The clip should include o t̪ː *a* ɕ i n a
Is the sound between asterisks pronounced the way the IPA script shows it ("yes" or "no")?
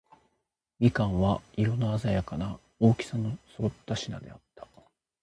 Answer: yes